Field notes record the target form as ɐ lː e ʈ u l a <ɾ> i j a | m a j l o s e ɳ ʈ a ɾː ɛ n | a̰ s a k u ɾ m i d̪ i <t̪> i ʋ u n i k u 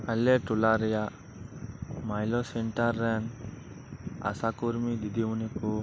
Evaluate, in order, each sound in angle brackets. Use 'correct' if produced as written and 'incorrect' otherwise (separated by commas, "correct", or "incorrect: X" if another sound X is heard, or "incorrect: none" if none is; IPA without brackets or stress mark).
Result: correct, incorrect: d̪